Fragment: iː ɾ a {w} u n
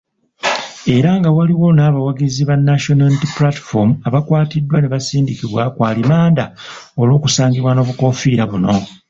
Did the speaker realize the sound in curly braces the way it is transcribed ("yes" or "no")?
no